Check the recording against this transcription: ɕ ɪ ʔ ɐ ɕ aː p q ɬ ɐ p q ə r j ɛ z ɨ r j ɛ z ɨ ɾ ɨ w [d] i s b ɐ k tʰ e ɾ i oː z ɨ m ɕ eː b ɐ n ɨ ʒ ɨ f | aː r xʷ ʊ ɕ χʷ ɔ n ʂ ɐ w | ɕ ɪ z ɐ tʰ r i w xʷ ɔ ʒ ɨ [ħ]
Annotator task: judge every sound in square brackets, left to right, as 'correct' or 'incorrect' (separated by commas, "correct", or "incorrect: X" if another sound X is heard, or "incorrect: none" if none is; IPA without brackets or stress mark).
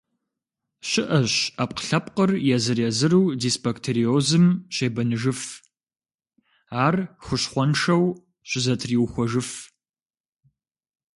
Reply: correct, incorrect: f